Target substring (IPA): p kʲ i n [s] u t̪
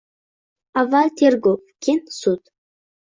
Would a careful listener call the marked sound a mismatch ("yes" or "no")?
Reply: no